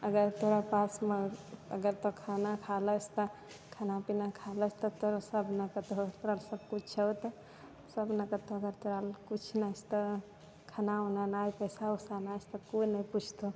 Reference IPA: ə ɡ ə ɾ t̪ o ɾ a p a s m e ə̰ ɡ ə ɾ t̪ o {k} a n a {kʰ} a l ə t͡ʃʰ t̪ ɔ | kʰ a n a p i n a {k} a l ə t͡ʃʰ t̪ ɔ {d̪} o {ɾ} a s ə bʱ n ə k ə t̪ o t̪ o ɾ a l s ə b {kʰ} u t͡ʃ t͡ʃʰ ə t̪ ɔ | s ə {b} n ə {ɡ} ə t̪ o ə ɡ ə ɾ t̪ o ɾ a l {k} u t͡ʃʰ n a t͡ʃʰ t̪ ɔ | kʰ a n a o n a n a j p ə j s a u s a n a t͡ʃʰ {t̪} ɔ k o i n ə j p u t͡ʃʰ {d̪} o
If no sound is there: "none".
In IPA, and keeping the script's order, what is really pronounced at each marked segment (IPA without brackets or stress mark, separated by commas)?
kʰ, kʰ, kʰ, t̪, ɾ, k, b, k, k, t̪, t̪